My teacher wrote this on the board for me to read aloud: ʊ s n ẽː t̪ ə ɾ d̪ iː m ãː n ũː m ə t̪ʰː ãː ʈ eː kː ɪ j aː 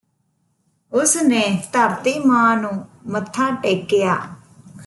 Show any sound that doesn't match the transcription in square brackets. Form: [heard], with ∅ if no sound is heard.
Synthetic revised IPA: ʊ s n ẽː t̪ ə ɾ [t̪] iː m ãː n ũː m ə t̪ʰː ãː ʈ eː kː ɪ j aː